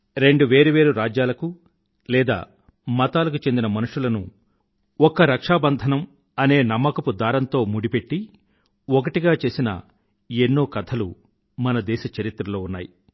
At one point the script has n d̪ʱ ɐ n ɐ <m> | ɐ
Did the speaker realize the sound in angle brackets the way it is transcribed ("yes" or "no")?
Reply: yes